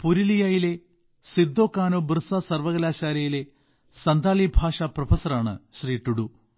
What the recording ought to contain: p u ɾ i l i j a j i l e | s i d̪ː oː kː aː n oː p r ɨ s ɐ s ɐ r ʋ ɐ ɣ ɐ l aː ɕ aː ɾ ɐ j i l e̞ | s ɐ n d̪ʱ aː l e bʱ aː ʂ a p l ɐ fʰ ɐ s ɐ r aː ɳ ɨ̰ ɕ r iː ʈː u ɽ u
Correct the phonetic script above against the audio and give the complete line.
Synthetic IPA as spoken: p u ɾ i l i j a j i l e | s i d̪ː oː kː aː n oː b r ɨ s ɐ s ɐ r ʋ ɐ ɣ ɐ l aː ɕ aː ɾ ɐ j i l e̞ | s ɐ n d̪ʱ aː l i bʱ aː ʂ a p r ɐ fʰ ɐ s ɐ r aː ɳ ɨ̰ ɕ r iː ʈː u ɽ u